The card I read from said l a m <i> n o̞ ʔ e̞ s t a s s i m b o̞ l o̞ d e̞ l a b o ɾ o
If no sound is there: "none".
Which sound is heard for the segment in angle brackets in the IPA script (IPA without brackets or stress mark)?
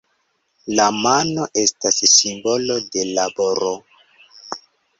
a